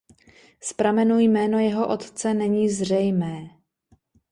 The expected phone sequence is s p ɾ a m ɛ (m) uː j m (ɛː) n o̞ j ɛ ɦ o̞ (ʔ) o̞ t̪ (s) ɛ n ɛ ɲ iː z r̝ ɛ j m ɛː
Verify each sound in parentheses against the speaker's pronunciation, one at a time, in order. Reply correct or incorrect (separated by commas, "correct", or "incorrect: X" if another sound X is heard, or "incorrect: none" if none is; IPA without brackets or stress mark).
incorrect: n, correct, correct, incorrect: t͡s